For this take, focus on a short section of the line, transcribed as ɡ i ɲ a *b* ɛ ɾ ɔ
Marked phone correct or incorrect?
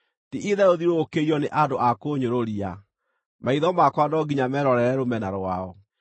incorrect